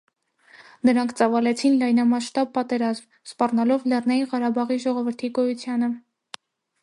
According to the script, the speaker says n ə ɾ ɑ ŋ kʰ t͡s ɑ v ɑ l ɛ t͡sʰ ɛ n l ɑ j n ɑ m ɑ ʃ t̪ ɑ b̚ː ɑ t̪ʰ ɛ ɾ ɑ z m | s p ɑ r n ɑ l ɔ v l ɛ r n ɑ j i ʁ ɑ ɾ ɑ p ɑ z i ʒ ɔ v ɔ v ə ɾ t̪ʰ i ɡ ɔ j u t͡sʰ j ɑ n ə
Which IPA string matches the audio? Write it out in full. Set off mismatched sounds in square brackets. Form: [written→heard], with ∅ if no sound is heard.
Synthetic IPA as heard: n ə ɾ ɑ ŋ kʰ t͡s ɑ v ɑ l ɛ t͡sʰ [ɛ→i] n l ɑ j n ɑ m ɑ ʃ t̪ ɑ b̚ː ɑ [t̪ʰ→t̪] ɛ ɾ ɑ z m | s p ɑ r n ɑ l ɔ v l ɛ r n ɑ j i ʁ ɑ ɾ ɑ [p→b] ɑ [z→ʁ] i ʒ ɔ [v→ʁ] ɔ v ə ɾ t̪ʰ i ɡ ɔ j u t͡sʰ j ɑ n ə

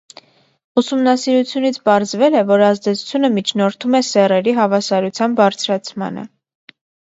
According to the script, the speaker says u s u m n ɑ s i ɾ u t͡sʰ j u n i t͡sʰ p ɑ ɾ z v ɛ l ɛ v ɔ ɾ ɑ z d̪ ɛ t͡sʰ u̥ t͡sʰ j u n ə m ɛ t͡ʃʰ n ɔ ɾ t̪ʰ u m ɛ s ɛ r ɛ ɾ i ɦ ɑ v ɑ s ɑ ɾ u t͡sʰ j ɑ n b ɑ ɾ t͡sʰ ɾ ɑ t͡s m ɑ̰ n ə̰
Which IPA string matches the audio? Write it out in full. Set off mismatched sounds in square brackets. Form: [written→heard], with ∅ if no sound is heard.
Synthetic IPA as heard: u s u m n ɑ s i ɾ u t͡sʰ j u n i t͡sʰ p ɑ ɾ z v ɛ l ɛ v ɔ ɾ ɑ z d̪ ɛ t͡sʰ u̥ t͡sʰ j u n ə m [ɛ→i] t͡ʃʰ n ɔ ɾ t̪ʰ u m ɛ s ɛ r ɛ ɾ i ɦ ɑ v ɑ s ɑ ɾ u t͡sʰ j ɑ n b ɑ ɾ t͡sʰ ɾ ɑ [t͡s→t͡sʰ] m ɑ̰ n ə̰

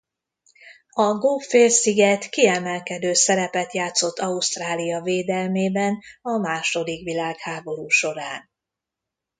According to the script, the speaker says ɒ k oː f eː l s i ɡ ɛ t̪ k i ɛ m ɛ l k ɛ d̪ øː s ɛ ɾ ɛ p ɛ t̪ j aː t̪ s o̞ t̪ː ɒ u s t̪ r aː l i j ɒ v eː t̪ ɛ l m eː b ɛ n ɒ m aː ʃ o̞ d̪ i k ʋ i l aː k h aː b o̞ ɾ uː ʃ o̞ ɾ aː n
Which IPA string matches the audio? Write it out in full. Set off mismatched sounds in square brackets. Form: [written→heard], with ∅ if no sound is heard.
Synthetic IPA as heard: ɒ [k→ɡ] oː f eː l s i ɡ ɛ t̪ k i ɛ m ɛ l k ɛ d̪ øː s ɛ ɾ ɛ p ɛ t̪ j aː t̪ s o̞ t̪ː ɒ u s t̪ r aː l i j ɒ v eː [t̪→d̪] ɛ l m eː b ɛ n ɒ m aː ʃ o̞ d̪ i k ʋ i l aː k h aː b o̞ ɾ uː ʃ o̞ ɾ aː n

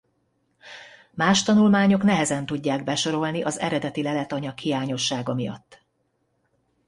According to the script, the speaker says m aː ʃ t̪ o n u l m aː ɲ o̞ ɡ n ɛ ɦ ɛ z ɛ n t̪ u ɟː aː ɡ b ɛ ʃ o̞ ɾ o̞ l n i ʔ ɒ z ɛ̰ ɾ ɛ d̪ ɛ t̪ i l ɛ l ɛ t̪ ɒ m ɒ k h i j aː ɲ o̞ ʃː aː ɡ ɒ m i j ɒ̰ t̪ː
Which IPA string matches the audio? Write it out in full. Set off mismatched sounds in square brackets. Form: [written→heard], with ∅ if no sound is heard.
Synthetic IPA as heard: m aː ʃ t̪ [o→ɒ] n u l m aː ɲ o̞ [ɡ→k] n ɛ ɦ ɛ z ɛ n t̪ u ɟː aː ɡ b ɛ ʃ o̞ ɾ o̞ l n i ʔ ɒ z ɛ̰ ɾ ɛ d̪ ɛ t̪ i l ɛ l ɛ t̪ ɒ [m→ɲ] ɒ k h i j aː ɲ o̞ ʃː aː ɡ ɒ m i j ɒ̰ t̪ː

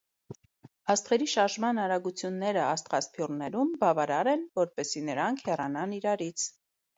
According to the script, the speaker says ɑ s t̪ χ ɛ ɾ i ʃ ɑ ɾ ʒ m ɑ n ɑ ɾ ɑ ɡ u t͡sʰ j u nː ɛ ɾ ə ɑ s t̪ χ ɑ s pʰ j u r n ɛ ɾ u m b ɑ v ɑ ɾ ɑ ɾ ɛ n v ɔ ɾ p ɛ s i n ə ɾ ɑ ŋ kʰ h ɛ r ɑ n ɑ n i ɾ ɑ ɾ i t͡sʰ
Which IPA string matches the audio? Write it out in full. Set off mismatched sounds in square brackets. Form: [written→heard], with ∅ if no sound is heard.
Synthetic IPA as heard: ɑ s t̪ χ ɛ ɾ i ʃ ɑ ɾ ʒ m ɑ n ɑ ɾ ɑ ɡ u t͡sʰ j u nː ɛ ɾ ə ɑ s t̪ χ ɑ s pʰ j u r n ɛ ɾ u m b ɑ v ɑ ɾ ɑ ɾ ɛ n v ɔ ɾ p ɛ s i n ə ɾ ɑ ŋ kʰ h ɛ r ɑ n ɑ n i ɾ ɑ ɾ i t͡sʰ

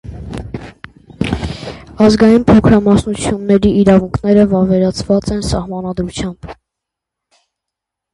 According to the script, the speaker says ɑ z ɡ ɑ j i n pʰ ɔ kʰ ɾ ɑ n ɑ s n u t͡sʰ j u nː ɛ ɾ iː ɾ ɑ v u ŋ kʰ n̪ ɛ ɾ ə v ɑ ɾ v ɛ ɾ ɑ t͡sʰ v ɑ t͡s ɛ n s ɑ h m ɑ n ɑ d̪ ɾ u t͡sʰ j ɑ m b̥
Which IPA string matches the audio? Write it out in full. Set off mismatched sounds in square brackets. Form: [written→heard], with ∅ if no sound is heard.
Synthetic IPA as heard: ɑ z ɡ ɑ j i n pʰ ɔ kʰ ɾ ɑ [n→m] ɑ s n u t͡sʰ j u nː ɛ ɾ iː ɾ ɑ v u ŋ kʰ n̪ ɛ ɾ ə v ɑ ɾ v ɛ ɾ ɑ t͡sʰ v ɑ t͡s ɛ n s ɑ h m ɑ n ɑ d̪ ɾ u t͡sʰ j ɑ m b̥

